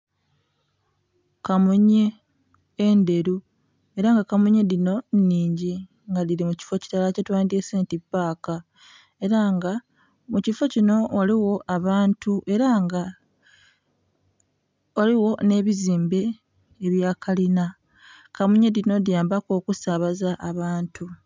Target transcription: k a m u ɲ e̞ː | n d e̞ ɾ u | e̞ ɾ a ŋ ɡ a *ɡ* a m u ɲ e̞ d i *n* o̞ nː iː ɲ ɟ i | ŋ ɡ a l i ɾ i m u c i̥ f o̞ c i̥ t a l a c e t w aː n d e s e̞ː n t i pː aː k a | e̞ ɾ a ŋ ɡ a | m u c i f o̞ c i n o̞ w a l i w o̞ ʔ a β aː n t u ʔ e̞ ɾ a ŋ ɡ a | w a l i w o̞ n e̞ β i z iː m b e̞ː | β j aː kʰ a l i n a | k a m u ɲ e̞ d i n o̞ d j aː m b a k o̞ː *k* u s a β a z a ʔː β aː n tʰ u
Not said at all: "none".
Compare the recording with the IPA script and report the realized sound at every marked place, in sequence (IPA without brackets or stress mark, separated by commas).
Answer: k, n, k